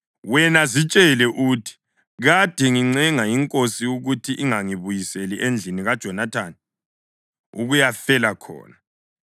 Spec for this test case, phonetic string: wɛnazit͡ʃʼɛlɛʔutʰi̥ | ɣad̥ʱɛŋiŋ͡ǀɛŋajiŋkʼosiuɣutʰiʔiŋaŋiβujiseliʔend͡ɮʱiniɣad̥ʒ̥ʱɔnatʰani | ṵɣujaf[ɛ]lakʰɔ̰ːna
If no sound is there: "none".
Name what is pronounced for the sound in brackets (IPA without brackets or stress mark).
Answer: ɛ